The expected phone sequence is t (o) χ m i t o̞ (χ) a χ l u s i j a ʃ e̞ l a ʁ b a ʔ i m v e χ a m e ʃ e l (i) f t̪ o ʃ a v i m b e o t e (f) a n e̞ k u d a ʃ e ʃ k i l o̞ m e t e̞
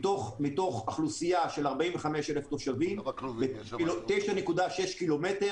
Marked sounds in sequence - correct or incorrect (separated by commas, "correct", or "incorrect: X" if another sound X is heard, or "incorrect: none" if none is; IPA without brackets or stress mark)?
correct, correct, incorrect: e, incorrect: ʃ